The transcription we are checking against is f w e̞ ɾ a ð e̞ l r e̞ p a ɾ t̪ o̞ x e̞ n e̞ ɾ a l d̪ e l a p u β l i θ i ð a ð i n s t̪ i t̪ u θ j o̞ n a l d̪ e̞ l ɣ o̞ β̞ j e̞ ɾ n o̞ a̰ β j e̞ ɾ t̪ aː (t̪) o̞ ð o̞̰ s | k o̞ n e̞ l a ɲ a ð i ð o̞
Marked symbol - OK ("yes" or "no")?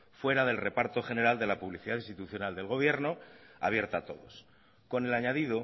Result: yes